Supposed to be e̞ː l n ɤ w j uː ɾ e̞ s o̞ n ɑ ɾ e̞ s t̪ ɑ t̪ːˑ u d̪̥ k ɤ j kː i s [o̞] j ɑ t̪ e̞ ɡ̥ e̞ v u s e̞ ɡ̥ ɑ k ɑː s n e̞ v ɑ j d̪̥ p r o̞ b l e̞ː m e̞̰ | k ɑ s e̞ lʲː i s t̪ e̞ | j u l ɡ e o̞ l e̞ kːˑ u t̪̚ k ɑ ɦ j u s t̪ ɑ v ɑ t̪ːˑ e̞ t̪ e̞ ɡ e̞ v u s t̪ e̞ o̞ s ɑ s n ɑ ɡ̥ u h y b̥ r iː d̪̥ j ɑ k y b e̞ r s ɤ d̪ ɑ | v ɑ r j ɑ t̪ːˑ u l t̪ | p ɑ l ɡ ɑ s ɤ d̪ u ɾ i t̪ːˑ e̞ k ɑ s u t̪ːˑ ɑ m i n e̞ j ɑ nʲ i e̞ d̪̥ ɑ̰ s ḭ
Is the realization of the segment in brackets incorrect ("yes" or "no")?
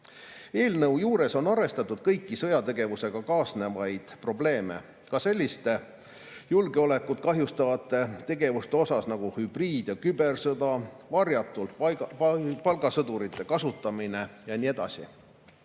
yes